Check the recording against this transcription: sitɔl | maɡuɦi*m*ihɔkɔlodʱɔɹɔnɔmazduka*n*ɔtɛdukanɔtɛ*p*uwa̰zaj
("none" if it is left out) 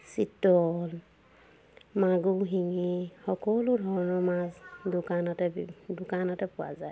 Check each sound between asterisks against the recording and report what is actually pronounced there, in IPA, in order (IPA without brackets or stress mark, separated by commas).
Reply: ŋ, n, p